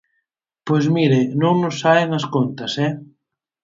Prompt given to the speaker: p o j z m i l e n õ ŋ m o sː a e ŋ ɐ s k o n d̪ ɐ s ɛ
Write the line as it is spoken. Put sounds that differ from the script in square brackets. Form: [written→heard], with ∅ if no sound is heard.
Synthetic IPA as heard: p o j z m i [l→ɾ] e n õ ŋ [m→n] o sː a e ŋ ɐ s k o n [d̪→t̪] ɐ s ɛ